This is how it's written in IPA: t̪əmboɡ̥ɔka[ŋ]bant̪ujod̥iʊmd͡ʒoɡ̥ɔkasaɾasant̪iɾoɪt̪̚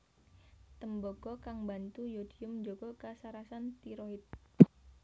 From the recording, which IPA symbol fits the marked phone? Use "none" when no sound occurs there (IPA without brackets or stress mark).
ŋ